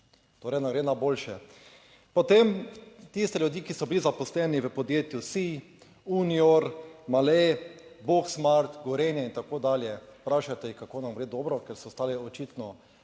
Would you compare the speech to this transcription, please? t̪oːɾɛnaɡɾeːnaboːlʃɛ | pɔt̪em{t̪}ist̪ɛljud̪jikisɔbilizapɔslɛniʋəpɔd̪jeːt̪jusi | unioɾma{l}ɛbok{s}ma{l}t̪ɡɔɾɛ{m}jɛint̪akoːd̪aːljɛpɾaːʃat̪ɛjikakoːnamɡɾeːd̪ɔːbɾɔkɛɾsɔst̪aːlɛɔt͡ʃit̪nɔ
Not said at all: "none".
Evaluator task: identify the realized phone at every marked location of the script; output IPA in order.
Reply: t̪, l, s, ɾ, n

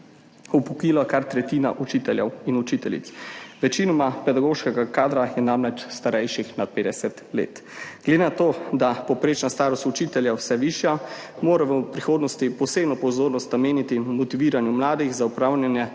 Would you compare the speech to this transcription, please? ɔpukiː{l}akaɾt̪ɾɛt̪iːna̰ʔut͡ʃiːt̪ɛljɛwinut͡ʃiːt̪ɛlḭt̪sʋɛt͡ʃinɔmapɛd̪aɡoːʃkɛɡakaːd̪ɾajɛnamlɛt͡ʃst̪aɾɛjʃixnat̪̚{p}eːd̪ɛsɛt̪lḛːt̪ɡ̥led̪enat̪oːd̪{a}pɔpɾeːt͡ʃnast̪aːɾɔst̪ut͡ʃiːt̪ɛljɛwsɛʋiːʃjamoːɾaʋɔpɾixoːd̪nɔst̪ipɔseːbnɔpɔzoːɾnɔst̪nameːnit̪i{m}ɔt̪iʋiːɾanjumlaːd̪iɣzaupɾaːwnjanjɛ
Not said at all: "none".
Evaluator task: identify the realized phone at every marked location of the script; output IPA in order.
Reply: l, p, a, m

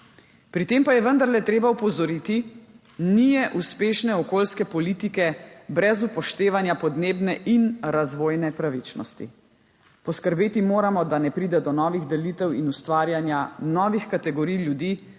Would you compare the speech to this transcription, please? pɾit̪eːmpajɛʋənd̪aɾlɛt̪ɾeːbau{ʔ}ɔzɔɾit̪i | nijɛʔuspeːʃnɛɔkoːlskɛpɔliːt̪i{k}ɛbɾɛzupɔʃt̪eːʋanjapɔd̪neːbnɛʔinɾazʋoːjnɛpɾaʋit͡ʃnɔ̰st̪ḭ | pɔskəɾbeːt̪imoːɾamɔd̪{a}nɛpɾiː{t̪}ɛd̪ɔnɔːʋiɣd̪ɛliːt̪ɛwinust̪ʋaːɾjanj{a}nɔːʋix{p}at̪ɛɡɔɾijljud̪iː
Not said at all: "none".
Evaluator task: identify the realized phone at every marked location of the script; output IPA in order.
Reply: p, k, a, d̪, a, k

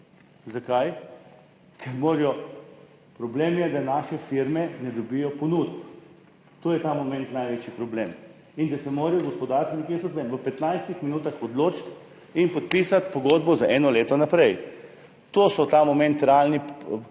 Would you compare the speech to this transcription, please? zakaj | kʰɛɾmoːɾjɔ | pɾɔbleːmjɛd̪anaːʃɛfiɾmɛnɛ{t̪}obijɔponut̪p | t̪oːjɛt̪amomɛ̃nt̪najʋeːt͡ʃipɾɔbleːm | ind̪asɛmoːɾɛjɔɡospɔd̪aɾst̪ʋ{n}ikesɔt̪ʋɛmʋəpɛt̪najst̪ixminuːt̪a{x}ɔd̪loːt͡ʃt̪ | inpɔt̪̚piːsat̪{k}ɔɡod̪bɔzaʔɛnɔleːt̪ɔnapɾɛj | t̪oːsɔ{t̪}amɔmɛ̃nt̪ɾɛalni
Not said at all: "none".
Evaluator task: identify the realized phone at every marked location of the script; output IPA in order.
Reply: d̪, n, x, p, t̪

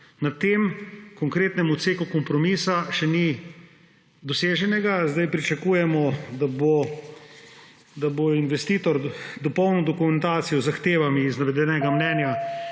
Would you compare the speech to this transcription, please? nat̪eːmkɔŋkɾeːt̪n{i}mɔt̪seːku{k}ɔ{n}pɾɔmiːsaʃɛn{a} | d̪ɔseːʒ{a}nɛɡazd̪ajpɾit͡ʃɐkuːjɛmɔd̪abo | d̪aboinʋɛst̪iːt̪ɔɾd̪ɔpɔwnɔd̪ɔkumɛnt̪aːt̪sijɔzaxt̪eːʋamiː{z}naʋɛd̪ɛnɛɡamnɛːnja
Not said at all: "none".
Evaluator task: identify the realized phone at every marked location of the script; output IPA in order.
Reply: ɛ, k, m, i, ɛ, z

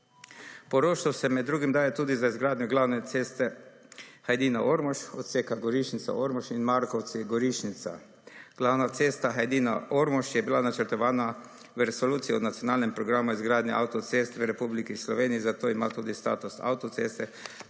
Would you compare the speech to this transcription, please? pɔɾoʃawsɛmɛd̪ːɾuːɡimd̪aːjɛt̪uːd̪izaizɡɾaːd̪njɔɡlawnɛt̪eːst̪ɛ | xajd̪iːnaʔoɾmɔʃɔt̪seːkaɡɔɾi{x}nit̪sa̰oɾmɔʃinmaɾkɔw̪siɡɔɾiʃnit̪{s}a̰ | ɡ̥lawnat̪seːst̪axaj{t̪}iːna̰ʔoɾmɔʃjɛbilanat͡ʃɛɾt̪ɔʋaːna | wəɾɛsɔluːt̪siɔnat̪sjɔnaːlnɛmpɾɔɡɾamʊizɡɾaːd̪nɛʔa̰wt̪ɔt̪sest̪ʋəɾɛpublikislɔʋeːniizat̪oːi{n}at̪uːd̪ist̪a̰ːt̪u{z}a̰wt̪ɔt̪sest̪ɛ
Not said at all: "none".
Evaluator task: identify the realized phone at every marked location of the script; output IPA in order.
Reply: ʃ, s, d̪, m, s

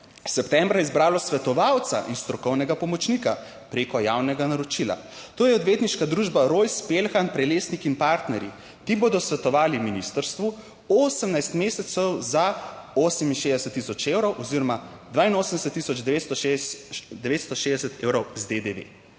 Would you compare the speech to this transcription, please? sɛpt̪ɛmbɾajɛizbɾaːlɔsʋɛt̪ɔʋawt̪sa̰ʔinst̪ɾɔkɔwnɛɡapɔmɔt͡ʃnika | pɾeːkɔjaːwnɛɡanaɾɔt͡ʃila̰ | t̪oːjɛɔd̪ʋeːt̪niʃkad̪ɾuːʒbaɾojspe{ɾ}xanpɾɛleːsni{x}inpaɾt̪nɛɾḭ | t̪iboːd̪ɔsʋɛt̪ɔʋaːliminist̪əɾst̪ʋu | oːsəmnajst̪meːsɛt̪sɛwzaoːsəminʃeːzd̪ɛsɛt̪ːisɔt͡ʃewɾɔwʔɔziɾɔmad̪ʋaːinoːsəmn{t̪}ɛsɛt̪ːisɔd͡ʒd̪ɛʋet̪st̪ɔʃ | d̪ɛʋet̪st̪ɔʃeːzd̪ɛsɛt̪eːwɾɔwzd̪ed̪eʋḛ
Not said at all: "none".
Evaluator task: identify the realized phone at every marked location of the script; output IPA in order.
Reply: l, k, d̪

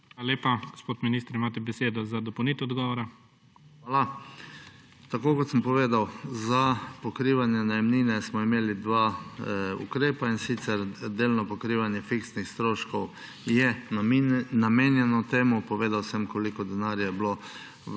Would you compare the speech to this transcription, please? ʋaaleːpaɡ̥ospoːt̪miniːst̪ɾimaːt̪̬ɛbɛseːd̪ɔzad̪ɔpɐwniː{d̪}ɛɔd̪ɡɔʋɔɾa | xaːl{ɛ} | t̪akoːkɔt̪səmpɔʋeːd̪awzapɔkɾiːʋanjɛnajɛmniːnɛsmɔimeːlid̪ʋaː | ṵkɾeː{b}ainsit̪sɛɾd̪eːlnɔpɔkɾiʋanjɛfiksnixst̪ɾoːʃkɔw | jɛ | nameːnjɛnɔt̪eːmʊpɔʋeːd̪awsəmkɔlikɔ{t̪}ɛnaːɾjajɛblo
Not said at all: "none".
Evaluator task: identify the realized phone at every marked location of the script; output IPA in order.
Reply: t̪, a, p, d̪

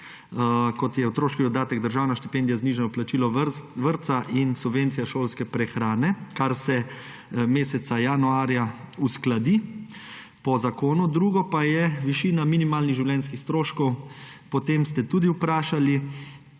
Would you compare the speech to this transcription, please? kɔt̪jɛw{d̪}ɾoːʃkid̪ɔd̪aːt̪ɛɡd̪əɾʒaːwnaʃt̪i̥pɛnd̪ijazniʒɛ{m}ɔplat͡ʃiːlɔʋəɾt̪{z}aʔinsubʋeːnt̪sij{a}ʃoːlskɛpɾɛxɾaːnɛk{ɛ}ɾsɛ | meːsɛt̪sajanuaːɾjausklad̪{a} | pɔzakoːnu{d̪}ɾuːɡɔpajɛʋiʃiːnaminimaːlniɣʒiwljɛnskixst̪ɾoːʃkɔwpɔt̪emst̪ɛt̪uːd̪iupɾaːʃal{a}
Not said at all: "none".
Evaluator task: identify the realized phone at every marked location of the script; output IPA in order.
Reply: t̪, n, s, a, a, i, d̪, i

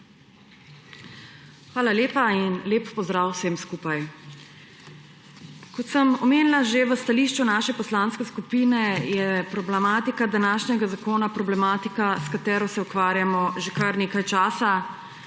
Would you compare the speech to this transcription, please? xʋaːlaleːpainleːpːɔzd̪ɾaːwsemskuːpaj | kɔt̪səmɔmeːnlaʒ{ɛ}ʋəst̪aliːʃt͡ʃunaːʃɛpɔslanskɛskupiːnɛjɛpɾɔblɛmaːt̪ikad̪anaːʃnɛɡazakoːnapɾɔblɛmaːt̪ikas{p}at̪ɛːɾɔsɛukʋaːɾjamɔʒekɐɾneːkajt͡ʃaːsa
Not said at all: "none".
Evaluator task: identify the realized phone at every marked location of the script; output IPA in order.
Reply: e, k

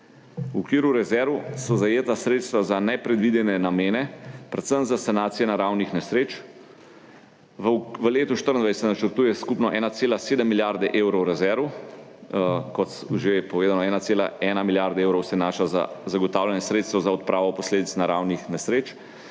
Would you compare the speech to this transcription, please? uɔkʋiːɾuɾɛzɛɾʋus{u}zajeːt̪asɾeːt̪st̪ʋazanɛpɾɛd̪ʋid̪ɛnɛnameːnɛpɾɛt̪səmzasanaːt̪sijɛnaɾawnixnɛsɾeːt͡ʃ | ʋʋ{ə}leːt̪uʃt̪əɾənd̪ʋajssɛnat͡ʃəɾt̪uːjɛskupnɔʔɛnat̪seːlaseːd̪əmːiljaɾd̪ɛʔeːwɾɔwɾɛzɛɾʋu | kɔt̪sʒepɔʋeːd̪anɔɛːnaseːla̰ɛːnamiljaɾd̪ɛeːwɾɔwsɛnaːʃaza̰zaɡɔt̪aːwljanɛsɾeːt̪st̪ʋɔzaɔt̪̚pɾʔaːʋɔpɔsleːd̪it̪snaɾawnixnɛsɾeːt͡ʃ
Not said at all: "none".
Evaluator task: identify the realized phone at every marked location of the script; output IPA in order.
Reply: ɔ, ə

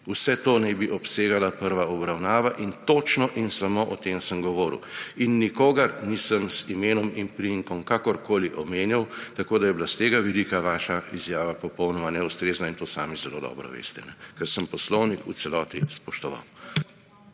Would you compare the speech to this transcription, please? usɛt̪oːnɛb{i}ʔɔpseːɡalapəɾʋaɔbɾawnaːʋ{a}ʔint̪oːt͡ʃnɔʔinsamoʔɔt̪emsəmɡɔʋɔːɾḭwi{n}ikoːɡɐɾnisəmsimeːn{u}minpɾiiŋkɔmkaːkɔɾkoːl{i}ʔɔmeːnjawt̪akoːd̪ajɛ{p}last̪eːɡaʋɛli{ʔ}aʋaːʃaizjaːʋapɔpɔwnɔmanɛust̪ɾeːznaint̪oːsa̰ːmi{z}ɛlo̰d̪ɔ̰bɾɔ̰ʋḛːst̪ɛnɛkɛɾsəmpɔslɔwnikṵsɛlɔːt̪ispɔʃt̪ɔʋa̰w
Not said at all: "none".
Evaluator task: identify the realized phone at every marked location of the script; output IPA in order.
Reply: i, a, nː, ɔ, i, b, k, z

